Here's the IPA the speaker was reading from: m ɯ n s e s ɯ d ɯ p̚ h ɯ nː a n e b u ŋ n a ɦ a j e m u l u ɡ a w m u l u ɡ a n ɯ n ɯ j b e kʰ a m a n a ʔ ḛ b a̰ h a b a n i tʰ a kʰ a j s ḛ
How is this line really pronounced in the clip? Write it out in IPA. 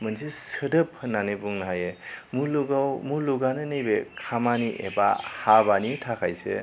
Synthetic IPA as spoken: m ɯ n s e s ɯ d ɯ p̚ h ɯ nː a n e b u ŋ n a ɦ a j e m u l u ɡ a w m u l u ɡ a n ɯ n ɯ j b e kʰ a m a n i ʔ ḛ b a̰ h a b a n i tʰ a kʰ a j s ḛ